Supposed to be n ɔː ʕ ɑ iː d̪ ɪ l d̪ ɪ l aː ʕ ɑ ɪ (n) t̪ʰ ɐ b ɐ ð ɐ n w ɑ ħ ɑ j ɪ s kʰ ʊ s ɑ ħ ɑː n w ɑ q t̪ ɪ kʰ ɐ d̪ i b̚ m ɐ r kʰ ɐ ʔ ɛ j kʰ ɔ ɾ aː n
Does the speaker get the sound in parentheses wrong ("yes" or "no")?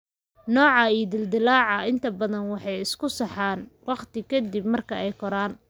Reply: no